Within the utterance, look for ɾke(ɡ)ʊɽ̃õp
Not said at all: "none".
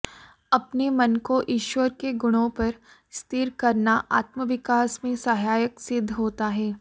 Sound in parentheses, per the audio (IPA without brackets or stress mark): ɡ